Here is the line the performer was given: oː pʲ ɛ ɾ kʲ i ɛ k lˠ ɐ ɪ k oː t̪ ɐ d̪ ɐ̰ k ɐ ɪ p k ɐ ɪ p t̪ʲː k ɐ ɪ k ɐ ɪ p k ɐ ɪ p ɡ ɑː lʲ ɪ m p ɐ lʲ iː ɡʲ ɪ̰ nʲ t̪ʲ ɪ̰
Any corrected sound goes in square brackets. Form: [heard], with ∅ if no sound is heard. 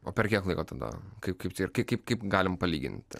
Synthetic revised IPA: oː pʲ ɛ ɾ kʲ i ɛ k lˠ ɐ ɪ k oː t̪ ɐ d̪ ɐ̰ k ɐ ɪ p k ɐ ɪ p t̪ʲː k ɐ ɪ k ɐ ɪ p k ɐ ɪ p ɡ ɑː lʲ ɪ m p ɐ lʲ iː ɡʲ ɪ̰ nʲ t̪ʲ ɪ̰